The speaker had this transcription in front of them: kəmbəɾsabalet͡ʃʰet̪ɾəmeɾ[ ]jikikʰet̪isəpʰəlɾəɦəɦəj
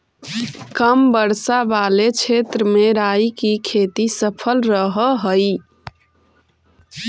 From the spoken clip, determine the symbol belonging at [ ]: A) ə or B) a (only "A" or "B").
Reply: B